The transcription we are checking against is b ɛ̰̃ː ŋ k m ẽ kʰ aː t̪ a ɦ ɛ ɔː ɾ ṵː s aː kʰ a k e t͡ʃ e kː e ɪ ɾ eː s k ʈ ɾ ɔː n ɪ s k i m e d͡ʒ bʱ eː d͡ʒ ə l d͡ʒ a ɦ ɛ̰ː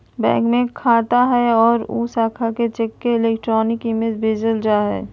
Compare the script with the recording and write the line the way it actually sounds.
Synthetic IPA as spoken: b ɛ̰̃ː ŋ k m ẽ kʰ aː t̪ a ɦ ɛ ɔː ɾ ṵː s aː kʰ a k e t͡ʃ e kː e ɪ l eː k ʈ ɾ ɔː n ɪ k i m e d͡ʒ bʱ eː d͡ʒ ə l d͡ʒ a ɦ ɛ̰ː